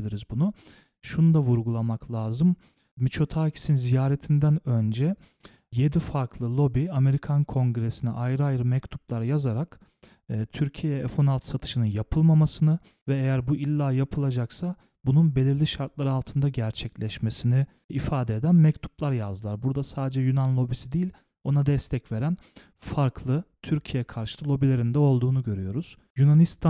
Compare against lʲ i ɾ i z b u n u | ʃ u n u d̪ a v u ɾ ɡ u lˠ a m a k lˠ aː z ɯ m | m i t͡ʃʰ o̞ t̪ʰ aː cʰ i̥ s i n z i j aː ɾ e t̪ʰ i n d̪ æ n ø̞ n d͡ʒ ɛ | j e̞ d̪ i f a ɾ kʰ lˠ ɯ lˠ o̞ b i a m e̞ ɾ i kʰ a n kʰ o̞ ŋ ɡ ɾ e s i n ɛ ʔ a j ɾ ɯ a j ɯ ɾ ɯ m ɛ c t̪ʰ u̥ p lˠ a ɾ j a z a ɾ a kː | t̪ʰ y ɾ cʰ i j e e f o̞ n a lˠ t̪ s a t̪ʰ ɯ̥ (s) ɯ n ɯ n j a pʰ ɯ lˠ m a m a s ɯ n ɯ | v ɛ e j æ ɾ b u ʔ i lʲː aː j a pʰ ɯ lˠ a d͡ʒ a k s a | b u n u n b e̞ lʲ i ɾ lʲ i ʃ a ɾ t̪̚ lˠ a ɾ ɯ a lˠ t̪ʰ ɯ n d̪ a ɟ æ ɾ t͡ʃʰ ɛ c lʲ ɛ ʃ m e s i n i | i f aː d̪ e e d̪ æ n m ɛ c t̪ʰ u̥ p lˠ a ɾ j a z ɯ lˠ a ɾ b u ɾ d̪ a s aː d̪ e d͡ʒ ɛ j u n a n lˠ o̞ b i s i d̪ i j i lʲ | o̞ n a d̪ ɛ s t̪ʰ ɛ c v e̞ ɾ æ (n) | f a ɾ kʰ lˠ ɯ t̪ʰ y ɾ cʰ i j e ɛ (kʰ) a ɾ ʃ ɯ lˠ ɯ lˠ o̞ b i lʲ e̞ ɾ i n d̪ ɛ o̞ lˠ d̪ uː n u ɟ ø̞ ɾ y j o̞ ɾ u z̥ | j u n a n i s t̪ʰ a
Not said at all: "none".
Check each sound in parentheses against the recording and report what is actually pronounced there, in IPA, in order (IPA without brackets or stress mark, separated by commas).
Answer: ʃ, n, kʰ